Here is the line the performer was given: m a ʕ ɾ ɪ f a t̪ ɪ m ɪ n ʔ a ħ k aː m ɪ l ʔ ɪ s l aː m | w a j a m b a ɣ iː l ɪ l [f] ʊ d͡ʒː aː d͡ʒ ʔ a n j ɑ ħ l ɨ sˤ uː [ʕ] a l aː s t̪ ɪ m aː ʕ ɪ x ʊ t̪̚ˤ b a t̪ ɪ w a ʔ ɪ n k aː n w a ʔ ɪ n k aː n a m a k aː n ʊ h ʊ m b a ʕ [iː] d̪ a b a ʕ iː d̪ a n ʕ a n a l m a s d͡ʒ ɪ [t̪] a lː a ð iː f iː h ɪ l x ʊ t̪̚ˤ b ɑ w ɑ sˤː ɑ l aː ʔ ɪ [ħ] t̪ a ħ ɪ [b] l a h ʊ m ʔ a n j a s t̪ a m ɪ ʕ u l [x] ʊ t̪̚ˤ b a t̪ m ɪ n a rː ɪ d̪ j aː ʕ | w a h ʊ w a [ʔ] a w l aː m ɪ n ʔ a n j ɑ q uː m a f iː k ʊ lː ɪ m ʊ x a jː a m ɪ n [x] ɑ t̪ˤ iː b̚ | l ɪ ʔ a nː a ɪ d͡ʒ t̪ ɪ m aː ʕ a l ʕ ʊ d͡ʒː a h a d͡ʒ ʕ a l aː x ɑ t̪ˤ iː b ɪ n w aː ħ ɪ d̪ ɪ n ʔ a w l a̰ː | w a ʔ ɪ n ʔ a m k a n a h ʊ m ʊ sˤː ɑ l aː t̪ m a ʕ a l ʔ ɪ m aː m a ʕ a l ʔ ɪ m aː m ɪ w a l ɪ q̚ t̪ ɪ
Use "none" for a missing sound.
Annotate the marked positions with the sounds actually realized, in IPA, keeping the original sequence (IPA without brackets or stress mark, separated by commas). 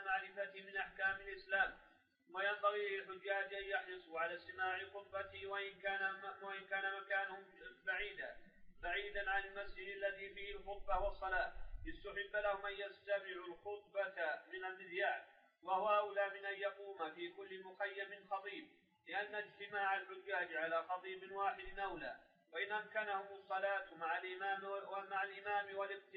ħ, ʕ, iː, d̪, s, bː, x, ʔ, x